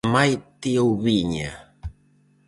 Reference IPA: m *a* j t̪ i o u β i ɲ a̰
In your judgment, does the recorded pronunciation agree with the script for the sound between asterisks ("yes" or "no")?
yes